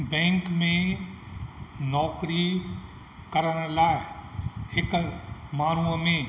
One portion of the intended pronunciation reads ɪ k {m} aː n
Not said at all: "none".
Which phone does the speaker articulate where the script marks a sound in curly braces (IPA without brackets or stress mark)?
m